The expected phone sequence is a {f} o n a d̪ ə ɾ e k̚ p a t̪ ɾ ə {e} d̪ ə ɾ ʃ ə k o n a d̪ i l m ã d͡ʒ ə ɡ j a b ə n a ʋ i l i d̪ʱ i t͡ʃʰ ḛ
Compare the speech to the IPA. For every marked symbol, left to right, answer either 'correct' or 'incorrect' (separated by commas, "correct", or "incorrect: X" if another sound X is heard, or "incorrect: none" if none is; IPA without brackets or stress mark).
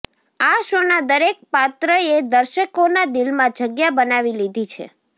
incorrect: ʃ, correct